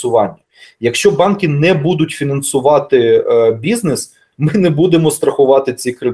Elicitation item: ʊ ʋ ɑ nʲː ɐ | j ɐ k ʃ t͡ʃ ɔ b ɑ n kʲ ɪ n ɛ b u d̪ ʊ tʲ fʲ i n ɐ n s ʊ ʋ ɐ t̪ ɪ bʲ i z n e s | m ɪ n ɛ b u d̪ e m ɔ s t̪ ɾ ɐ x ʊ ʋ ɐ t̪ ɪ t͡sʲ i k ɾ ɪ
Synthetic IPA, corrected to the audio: ʊ ʋ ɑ nʲː ɐ | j ɐ k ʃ t͡ʃ ɔ b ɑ n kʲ ɪ n ɛ b u d̪ ʊ tʲ fʲ i n ɐ n s ʊ ʋ ɑ t̪ ɪ bʲ i z n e s | m ɪ n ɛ b u d̪ e m ɔ s t̪ ɾ ɐ x ʊ ʋ ɑ t̪ ɪ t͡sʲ i k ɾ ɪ